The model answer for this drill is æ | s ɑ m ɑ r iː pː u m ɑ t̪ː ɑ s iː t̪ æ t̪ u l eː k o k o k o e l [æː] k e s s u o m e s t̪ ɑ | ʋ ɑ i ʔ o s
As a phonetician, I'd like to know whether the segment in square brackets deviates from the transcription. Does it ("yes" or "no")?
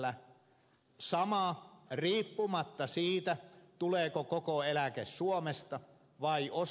yes